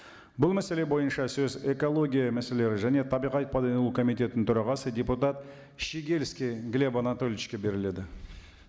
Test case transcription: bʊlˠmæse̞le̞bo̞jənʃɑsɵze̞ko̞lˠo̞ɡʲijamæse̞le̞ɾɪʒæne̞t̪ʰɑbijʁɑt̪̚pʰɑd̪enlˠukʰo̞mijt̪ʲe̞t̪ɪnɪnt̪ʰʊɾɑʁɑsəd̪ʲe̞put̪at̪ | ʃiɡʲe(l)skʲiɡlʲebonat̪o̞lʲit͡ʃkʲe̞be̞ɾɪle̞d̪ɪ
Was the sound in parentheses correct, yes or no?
yes